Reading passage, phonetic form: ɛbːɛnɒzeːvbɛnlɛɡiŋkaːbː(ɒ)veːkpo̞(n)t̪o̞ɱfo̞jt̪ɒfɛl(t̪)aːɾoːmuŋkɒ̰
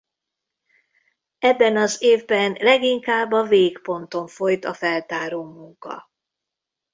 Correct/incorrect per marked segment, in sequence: correct, correct, correct

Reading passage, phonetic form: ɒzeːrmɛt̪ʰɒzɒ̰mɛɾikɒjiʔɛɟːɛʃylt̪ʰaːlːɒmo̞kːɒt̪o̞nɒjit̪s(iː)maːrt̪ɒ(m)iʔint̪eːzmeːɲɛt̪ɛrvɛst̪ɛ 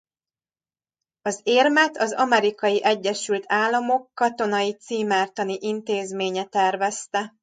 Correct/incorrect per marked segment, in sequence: correct, incorrect

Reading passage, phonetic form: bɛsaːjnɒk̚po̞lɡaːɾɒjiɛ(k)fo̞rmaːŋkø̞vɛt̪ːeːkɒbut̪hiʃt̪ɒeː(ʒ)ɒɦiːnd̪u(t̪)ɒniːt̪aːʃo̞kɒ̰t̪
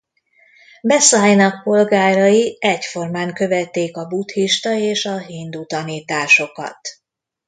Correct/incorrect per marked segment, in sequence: incorrect, incorrect, correct

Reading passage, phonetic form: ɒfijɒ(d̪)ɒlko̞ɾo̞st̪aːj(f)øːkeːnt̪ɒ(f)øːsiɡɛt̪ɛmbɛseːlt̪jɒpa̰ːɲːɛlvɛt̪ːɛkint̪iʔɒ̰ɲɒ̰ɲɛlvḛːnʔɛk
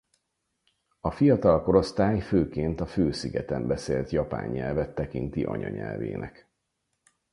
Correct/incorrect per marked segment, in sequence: incorrect, correct, correct

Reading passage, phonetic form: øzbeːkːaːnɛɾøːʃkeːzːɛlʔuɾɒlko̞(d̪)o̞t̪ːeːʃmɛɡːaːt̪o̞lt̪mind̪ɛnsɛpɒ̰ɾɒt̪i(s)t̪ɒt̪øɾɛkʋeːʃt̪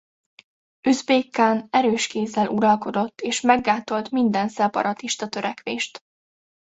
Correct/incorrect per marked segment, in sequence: correct, incorrect

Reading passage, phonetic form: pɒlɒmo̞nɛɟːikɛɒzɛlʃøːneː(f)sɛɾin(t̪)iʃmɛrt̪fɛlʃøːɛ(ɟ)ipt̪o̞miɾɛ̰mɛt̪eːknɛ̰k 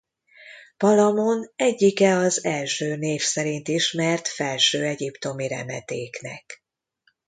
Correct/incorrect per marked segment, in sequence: correct, correct, correct

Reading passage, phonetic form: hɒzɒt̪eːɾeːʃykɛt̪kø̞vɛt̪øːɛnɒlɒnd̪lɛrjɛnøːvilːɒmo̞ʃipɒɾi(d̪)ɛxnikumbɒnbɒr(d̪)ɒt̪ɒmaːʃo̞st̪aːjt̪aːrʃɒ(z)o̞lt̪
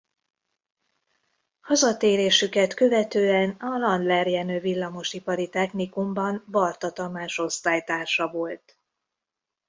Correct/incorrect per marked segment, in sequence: incorrect, incorrect, incorrect

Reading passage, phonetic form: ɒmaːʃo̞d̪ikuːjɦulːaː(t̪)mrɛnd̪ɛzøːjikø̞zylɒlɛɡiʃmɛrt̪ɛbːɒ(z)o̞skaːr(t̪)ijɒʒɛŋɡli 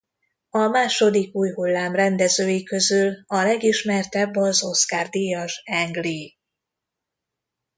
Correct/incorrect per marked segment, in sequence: incorrect, correct, incorrect

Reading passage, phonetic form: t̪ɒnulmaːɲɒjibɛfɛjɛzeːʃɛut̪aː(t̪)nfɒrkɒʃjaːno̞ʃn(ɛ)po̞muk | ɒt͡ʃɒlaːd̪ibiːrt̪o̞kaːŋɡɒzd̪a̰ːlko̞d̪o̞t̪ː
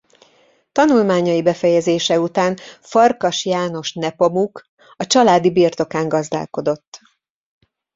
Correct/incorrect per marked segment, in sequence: incorrect, correct

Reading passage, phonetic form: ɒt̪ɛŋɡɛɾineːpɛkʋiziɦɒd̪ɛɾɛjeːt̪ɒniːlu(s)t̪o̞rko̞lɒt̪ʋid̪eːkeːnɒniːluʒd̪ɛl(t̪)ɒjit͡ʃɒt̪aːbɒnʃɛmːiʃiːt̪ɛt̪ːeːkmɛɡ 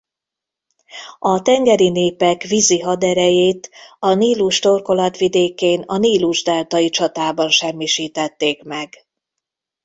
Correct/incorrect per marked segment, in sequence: incorrect, correct

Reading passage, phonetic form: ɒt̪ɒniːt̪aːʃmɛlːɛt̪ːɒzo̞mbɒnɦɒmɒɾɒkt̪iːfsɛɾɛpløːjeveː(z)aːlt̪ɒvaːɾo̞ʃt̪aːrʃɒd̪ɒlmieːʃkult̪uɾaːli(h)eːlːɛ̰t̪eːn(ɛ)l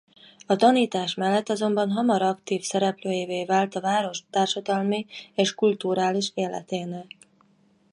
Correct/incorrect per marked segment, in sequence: incorrect, incorrect, correct

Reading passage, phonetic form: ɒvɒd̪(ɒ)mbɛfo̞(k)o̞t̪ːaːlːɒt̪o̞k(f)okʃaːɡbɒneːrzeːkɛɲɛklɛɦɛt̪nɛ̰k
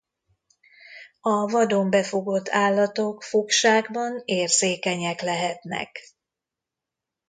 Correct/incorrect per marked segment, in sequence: incorrect, incorrect, correct

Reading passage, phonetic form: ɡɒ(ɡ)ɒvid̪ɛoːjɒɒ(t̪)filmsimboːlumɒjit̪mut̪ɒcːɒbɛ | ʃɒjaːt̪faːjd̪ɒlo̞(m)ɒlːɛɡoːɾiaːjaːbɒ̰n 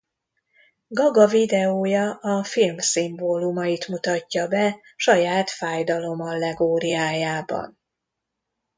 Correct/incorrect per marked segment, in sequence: correct, incorrect, correct

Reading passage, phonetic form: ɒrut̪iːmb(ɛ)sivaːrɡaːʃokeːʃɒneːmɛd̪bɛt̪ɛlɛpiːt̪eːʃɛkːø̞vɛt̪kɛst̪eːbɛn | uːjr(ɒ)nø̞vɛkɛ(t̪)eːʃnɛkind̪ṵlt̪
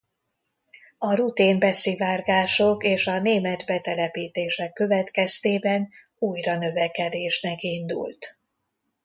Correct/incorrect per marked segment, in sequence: correct, correct, incorrect

